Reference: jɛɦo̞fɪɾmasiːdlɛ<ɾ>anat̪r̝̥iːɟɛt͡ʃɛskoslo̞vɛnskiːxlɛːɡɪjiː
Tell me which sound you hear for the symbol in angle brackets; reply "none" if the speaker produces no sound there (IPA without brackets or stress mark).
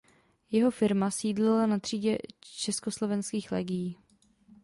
l